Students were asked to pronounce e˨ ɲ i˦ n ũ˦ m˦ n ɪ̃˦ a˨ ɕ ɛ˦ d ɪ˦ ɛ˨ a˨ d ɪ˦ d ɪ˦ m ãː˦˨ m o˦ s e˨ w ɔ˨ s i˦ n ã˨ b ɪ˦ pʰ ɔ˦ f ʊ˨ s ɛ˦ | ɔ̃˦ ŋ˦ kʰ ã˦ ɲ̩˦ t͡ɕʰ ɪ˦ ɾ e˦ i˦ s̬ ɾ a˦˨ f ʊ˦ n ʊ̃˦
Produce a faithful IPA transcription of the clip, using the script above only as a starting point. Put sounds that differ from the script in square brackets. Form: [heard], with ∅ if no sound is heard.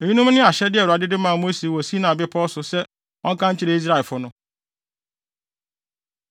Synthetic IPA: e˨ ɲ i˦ n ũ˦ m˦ n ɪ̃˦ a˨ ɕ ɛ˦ d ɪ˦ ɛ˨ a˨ d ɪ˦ d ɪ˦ m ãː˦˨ m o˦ s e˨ w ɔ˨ s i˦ n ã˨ b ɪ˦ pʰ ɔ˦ [s] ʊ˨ s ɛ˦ | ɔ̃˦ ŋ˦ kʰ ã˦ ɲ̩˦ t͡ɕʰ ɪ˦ ɾ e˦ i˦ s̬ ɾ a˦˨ f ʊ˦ n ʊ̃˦